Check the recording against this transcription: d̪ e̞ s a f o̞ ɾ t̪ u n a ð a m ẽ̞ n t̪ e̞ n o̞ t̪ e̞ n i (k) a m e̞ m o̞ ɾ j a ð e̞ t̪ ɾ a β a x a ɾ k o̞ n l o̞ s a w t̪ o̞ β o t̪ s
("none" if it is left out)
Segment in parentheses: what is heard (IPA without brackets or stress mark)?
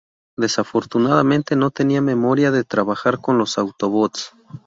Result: none